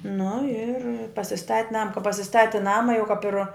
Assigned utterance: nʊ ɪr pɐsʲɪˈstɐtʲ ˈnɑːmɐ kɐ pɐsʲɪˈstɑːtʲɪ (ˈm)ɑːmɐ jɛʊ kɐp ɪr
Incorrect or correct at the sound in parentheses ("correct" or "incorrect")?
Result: incorrect